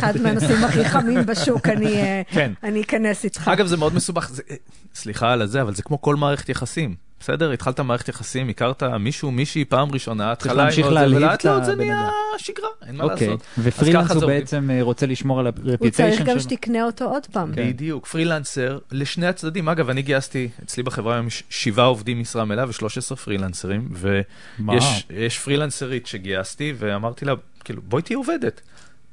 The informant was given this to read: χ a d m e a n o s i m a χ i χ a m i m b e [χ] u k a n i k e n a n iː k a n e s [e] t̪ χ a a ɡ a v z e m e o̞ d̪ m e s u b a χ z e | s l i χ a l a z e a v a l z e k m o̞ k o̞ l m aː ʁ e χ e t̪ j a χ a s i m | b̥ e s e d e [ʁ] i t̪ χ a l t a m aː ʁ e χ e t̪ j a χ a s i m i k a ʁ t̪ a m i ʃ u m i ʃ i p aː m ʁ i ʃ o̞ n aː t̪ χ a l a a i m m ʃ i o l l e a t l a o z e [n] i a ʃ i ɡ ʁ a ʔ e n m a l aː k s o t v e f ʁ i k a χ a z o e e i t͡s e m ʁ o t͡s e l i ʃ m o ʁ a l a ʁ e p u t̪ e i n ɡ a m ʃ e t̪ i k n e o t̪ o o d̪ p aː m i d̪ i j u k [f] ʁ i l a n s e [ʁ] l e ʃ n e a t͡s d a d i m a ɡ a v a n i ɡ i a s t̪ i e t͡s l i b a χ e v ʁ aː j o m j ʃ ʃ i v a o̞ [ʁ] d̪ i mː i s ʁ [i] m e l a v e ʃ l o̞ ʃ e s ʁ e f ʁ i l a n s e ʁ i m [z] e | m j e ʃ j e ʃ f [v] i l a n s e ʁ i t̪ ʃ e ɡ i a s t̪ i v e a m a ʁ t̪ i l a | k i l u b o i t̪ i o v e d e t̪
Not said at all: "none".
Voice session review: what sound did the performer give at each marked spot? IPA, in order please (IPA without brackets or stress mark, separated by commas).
ʃ, i, ʁ, n, f, ʁ, v, a, v, ʁ